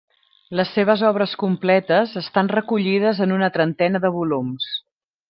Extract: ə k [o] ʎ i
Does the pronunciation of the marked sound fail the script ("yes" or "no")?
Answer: yes